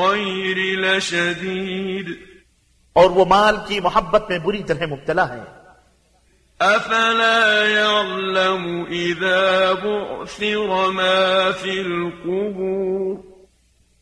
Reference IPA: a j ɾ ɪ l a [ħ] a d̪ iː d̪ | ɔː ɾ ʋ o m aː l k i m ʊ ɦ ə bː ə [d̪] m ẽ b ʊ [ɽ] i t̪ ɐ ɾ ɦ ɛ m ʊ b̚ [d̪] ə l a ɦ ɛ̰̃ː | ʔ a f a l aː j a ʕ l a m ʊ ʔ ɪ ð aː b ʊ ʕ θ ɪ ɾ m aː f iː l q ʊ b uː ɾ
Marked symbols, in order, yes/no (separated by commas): no, no, no, no